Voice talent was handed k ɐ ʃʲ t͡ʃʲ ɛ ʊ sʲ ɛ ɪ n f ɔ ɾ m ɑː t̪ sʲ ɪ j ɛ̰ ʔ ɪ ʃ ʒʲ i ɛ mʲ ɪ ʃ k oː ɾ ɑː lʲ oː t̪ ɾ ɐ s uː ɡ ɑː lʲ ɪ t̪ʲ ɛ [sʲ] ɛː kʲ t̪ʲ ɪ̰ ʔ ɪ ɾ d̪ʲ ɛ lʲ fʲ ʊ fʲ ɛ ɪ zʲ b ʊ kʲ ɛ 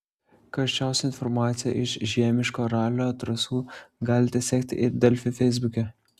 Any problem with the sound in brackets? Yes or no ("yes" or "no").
no